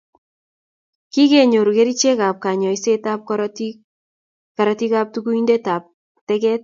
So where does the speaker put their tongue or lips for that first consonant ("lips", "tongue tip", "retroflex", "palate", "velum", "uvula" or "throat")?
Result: velum